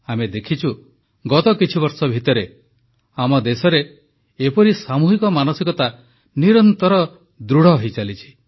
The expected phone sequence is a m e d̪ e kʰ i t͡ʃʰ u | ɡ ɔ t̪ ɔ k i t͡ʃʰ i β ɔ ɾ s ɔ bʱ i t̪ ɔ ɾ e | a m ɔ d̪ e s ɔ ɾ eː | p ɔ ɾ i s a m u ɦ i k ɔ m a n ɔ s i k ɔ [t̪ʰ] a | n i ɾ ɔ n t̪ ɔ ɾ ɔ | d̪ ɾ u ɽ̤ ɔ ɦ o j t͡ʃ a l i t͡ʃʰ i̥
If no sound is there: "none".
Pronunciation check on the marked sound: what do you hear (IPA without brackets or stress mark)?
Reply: t̪